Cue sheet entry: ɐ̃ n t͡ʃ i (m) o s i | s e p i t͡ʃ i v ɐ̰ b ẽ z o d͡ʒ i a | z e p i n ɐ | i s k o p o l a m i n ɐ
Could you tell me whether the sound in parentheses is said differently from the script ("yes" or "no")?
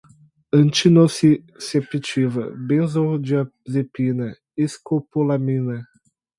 yes